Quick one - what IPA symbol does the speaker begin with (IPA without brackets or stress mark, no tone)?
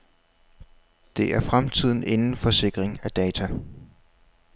d̥